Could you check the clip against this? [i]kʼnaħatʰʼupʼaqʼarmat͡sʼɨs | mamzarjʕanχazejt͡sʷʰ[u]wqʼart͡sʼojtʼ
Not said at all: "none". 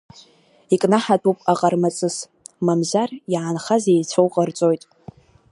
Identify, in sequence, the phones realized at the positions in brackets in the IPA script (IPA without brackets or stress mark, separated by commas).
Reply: i, o